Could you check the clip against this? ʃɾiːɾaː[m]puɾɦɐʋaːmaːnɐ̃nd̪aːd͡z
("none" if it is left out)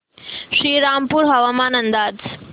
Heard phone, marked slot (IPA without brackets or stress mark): m